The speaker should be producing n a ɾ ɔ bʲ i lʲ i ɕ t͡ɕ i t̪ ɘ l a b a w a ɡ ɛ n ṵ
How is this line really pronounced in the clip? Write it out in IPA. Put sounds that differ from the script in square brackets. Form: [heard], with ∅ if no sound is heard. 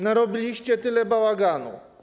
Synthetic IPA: n a ɾ ɔ bʲ i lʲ i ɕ t͡ɕ [ɛ] t̪ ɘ l [ɛ] b a w a ɡ [a] n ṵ